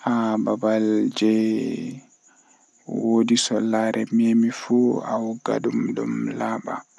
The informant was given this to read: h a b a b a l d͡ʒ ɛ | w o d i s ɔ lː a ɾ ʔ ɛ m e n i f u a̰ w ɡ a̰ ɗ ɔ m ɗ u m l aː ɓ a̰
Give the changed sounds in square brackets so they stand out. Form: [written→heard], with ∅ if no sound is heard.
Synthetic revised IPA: h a b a b a l d͡ʒ ɛ | w o d i s ɔ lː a ɾ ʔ ɛ m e [n→m] i f u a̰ w ɡ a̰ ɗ [ɔ→u] m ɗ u m l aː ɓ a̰